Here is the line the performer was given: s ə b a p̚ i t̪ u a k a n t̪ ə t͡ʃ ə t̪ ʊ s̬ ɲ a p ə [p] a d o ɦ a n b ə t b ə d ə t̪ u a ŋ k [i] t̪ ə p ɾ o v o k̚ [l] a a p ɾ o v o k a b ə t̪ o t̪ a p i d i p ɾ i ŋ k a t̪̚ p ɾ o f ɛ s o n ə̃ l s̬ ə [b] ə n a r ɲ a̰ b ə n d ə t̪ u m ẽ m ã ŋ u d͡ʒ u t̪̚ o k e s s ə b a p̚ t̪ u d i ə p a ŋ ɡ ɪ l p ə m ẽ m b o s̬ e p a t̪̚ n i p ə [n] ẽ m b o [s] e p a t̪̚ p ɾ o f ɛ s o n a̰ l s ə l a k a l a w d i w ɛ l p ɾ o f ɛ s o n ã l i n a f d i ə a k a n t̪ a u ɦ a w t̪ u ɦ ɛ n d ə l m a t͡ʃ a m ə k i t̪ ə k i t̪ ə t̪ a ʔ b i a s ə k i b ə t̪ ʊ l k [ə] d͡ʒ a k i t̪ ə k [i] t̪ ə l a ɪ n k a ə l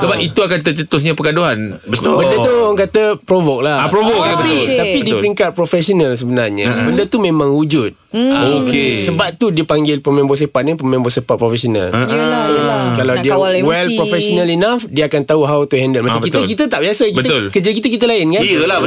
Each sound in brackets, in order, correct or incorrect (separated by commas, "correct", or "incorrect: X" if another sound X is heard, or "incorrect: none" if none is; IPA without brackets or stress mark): incorrect: k, incorrect: a, correct, correct, incorrect: m, correct, correct, correct